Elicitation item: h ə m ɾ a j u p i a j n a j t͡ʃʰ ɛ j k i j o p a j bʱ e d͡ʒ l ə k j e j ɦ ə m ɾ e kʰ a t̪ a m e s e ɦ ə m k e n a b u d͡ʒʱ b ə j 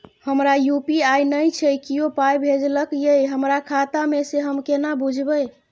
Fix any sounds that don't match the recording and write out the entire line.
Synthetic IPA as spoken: h ə m ɾ a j u p i a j n ə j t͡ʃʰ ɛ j k i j o p a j bʱ e d͡ʒ l ə k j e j ɦ ə m ɾ a kʰ a t̪ a m e s e ɦ ə m k e n a b u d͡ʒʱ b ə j